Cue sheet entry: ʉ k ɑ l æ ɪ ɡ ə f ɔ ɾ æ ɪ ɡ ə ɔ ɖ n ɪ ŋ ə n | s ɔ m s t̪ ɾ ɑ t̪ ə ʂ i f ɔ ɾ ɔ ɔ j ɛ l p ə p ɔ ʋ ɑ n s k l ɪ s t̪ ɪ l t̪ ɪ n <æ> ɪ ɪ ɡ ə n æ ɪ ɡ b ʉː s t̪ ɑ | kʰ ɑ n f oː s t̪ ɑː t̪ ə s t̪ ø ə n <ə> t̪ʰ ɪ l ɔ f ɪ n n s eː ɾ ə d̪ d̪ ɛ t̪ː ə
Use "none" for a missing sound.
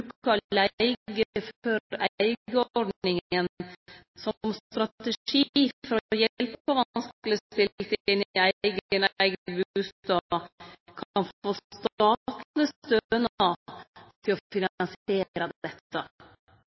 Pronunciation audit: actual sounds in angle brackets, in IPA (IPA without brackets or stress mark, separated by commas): æ, ɑ